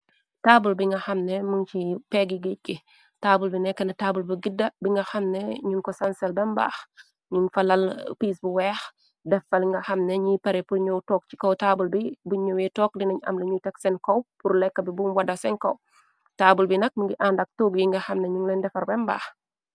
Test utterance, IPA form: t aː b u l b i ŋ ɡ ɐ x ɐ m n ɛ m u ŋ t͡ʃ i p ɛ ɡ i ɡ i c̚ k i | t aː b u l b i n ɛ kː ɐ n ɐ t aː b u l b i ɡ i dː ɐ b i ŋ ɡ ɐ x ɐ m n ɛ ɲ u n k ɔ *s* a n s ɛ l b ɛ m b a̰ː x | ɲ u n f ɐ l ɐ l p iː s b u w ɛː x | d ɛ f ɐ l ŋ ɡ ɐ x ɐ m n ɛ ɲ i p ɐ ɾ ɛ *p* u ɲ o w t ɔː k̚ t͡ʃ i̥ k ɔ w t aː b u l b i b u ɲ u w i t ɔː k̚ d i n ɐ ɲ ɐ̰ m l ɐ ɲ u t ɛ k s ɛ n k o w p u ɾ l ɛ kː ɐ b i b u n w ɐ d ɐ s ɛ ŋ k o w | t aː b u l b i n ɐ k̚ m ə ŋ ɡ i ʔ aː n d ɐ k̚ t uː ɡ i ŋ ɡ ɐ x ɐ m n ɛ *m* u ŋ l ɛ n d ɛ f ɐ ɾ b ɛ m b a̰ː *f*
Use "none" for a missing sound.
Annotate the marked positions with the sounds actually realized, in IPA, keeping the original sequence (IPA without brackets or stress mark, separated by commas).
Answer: s, p, ɲ, x